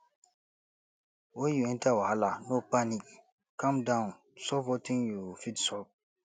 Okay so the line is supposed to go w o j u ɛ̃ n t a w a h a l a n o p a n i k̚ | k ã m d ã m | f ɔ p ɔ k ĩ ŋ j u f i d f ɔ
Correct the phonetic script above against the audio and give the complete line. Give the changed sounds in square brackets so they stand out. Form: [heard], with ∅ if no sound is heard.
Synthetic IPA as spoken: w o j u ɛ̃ n t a w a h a l a n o p a n i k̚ | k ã m d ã [n] | [s] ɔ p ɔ [t] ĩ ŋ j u f i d [s] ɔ